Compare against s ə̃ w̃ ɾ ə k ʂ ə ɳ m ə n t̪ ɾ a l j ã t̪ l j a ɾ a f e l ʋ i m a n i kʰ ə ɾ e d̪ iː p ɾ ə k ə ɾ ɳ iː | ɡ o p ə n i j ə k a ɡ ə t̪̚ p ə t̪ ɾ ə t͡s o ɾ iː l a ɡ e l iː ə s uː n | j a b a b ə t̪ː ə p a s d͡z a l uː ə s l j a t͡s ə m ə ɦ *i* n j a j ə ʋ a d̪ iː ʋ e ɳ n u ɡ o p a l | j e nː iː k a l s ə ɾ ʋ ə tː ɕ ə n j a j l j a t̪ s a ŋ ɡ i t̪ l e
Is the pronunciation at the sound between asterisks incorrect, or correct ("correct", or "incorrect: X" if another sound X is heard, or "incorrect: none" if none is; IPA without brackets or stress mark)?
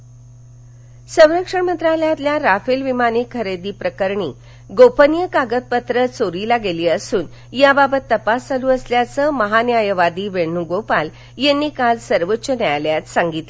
incorrect: a